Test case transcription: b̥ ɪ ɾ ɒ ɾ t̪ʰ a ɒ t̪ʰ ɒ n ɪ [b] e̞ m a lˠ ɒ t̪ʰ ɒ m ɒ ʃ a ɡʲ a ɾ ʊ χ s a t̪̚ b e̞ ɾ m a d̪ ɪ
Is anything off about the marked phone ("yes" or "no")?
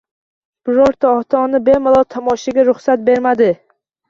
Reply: no